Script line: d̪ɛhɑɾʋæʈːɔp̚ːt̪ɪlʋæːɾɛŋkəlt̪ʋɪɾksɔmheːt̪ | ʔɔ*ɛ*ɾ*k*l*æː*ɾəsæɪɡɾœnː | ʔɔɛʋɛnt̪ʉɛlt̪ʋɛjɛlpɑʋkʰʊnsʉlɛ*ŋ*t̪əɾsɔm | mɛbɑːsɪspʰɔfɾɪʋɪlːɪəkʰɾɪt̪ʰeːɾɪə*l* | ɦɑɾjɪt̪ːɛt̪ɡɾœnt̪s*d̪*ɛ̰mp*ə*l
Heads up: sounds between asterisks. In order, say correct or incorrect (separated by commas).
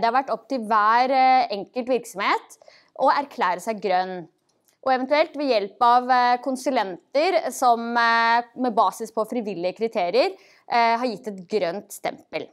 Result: incorrect, incorrect, correct, incorrect, incorrect, incorrect, correct